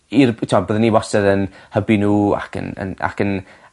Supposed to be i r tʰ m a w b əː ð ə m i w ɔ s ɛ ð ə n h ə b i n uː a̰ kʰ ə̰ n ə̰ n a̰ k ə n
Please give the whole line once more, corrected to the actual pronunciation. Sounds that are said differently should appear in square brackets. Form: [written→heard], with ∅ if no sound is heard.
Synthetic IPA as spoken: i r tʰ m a [w→∅] b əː ð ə [m→n] i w ɔ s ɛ ð ə n h ə b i n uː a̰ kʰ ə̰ n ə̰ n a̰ k ə n